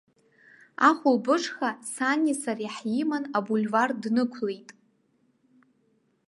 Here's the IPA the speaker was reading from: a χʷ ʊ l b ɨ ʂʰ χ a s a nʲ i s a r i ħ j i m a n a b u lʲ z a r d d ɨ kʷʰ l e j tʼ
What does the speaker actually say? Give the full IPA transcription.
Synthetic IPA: a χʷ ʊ l b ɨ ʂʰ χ a s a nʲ i s a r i ħ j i m a n a b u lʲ v a r d n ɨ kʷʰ l e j tʼ

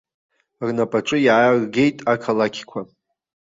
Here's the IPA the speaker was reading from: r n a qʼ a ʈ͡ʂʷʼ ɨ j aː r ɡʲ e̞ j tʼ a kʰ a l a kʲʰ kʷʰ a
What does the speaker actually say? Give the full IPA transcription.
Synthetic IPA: r n a pʼ a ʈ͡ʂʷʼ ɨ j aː r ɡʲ e̞ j tʼ a kʰ a l a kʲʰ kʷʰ a

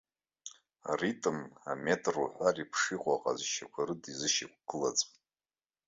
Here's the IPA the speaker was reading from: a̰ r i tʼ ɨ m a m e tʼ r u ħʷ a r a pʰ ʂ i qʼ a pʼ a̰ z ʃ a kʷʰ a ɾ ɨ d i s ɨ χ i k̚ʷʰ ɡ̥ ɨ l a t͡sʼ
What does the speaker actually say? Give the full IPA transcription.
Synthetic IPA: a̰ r i tʼ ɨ m a m e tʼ r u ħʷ a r i pʰ ʂ i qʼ a qʼ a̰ z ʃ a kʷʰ a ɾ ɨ d i z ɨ ʃ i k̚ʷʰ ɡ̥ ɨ l a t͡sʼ

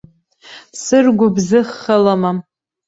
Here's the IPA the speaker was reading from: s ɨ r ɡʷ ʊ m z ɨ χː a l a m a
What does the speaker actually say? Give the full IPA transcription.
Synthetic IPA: s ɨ r ɡʷ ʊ b z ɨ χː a l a m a

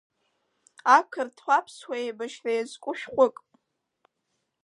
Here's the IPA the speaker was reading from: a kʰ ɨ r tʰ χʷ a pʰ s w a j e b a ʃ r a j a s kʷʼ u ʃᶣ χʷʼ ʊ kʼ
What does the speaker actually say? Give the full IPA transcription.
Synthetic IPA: a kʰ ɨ r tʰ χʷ a pʰ s w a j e b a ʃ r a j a z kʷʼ ʊ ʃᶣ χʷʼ ʊ kʼ

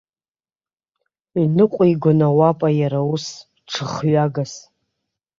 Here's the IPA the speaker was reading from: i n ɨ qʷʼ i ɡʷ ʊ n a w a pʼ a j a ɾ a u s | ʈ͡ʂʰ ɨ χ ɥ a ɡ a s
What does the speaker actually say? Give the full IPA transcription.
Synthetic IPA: i n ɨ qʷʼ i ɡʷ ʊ n a w a pʼ a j a ɾ a u s | ʈ͡ʂʰ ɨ χ ɥ a ɡ a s

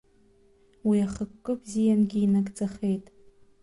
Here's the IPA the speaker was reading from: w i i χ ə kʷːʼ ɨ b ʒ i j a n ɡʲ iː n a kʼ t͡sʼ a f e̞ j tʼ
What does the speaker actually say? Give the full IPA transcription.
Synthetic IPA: w i a χ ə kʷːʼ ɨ b z i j a n ɡʲ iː n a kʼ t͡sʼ a χ e̞ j tʼ

